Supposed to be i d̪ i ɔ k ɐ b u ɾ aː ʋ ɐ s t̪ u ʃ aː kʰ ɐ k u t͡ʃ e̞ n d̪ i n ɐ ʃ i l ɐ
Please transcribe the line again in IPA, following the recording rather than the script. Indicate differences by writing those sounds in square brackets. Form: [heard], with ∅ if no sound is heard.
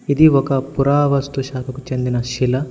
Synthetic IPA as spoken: i d̪ i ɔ k ɐ [p] u ɾ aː ʋ ɐ s t̪ u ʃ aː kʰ ɐ k u t͡ʃ e̞ n d̪ i n ɐ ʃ i l ɐ